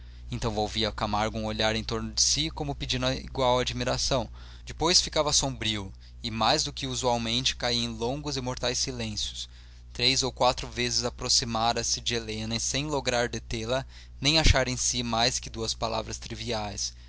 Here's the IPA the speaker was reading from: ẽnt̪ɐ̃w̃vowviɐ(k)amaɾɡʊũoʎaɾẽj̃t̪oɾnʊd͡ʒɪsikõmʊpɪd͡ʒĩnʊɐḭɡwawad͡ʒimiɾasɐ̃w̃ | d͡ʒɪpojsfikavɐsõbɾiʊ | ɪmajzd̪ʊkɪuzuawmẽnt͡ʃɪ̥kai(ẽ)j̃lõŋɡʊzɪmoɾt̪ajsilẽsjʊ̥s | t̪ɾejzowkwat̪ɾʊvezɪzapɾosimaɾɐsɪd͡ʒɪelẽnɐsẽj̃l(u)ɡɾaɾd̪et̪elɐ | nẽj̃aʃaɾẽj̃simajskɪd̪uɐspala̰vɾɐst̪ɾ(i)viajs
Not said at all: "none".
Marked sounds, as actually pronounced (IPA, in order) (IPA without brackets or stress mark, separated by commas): k, ẽ, o, i